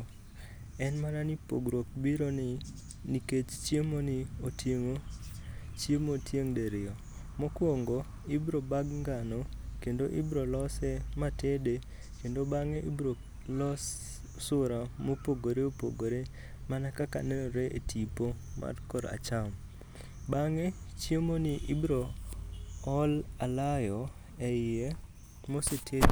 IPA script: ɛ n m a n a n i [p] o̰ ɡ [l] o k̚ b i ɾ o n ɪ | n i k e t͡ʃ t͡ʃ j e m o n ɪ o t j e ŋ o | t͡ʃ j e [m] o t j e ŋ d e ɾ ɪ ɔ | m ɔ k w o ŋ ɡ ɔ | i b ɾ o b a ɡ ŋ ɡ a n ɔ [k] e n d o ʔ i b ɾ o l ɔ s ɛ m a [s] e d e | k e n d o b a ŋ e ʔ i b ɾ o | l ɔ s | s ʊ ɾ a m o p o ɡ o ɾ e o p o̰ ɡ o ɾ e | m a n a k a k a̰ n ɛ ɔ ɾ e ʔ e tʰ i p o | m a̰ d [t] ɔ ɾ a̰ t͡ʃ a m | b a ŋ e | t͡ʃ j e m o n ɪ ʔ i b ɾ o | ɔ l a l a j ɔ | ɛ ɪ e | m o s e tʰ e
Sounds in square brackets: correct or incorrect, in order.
correct, incorrect: ɾ, correct, correct, incorrect: t, incorrect: k

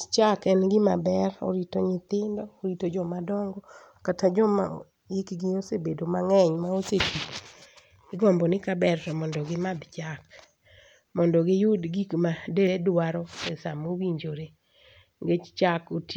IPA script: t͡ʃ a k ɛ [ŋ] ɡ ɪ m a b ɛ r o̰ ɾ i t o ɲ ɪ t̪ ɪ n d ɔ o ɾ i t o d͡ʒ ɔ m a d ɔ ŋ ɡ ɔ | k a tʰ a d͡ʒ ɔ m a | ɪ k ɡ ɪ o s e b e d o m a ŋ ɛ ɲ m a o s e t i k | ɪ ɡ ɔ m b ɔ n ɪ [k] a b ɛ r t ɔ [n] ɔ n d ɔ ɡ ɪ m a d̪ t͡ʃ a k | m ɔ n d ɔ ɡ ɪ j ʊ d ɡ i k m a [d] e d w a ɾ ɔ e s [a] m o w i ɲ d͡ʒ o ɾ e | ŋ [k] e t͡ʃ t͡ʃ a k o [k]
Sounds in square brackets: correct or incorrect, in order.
incorrect: n, correct, incorrect: m, correct, correct, incorrect: ɡ, incorrect: t

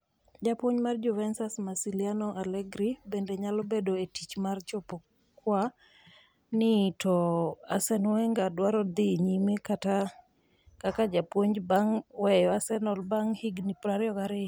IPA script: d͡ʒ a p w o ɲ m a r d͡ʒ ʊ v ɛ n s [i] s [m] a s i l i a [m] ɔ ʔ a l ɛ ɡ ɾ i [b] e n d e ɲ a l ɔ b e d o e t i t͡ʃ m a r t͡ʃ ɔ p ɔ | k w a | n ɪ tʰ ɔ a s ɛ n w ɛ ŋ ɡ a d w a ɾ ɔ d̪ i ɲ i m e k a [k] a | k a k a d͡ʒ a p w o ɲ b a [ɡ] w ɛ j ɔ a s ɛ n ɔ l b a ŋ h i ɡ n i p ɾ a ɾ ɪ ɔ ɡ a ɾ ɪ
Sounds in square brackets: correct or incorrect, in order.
incorrect: a, correct, incorrect: n, correct, incorrect: t, incorrect: ŋ

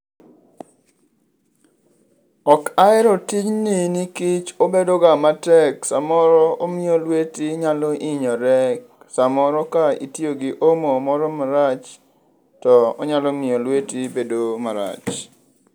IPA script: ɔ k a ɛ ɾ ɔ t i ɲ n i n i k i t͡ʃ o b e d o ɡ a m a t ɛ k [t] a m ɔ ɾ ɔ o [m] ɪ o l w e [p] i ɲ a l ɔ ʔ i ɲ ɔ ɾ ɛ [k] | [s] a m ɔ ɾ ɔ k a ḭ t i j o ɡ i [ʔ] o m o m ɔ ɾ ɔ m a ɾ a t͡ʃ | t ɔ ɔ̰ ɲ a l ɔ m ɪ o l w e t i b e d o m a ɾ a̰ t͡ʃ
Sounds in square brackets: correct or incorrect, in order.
incorrect: s, correct, incorrect: t, correct, correct, correct

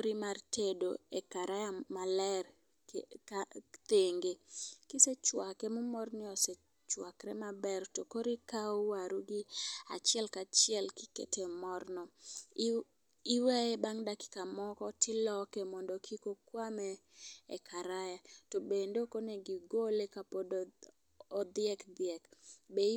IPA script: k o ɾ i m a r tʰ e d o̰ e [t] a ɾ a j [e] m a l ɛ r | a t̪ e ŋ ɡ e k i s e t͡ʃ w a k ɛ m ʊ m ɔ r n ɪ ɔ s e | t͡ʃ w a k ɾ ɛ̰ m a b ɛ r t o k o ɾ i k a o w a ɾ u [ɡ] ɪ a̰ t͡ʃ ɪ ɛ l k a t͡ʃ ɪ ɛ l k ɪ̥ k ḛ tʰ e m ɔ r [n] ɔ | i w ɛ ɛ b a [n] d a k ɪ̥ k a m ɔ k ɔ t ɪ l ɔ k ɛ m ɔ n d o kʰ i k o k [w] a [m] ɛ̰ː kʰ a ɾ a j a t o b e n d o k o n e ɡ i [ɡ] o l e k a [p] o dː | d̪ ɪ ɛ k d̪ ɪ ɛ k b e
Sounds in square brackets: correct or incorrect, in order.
incorrect: k, incorrect: a, correct, correct, incorrect: ŋ, correct, correct, correct, correct

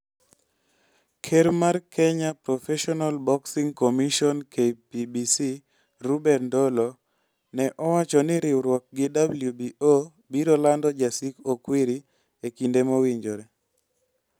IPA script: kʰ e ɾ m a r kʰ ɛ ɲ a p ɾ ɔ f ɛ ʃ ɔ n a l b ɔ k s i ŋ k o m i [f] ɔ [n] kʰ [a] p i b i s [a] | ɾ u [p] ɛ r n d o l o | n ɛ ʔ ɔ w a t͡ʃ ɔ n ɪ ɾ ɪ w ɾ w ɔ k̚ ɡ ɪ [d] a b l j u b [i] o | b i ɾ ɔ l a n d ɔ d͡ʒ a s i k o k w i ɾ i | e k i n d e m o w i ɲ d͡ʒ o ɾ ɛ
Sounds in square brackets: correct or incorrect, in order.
incorrect: ʃ, correct, incorrect: e, incorrect: i, incorrect: b, correct, correct

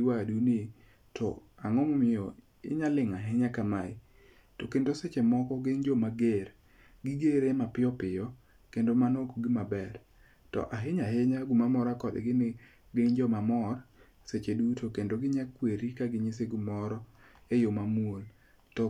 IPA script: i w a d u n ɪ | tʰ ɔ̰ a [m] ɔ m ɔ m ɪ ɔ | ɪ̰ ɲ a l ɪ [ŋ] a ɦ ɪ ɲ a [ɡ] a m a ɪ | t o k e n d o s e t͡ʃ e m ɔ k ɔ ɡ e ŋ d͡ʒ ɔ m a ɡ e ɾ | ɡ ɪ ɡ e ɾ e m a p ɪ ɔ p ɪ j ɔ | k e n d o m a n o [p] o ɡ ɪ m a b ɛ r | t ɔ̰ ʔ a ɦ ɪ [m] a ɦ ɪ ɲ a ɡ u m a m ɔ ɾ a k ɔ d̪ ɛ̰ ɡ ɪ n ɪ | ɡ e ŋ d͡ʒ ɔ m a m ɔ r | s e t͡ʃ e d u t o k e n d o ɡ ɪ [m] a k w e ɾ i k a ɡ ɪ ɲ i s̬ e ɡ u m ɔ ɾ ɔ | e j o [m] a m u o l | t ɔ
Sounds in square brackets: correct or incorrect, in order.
incorrect: ŋ, correct, incorrect: k, incorrect: k, incorrect: ɲ, incorrect: ɲ, correct

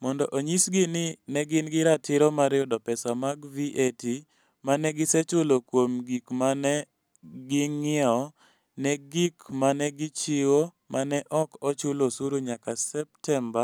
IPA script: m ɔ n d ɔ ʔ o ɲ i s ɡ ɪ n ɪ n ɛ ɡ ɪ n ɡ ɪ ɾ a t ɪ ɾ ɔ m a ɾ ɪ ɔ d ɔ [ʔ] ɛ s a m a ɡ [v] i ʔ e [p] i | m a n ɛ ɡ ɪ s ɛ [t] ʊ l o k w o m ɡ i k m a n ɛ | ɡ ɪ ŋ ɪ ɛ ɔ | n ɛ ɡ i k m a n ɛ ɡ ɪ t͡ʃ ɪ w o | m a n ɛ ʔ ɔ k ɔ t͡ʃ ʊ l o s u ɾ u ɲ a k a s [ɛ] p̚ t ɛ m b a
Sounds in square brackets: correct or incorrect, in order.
incorrect: p, correct, incorrect: t, incorrect: t͡ʃ, correct

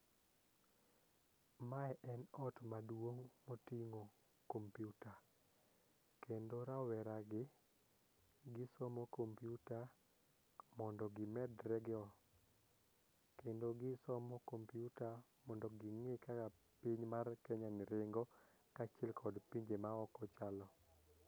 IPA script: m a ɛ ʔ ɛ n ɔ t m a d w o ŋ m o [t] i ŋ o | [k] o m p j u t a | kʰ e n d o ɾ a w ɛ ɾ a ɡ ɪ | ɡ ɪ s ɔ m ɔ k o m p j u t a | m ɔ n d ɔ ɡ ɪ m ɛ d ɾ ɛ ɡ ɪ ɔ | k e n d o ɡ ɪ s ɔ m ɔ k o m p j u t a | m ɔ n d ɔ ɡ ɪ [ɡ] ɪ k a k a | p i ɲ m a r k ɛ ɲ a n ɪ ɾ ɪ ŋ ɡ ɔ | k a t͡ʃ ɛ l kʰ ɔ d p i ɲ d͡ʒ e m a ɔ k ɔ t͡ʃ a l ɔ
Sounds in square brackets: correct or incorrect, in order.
correct, correct, incorrect: ŋ

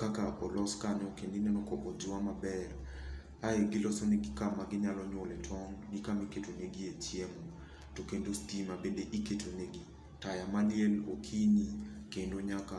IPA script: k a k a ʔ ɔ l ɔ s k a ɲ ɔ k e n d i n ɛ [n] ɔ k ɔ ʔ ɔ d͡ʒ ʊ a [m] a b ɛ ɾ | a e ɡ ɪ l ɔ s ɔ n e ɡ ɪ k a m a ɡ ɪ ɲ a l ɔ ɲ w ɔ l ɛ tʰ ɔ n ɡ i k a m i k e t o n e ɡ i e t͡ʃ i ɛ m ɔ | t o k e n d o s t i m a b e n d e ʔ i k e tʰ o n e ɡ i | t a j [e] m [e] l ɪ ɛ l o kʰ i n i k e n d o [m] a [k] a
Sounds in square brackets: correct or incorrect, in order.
correct, correct, incorrect: a, incorrect: a, incorrect: ɲ, correct

